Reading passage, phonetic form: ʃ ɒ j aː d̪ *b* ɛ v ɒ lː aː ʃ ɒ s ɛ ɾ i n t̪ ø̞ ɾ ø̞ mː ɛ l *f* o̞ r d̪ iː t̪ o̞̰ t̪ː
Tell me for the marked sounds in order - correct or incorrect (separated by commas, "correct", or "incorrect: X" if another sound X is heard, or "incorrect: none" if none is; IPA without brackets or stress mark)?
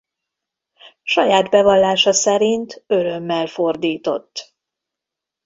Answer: correct, correct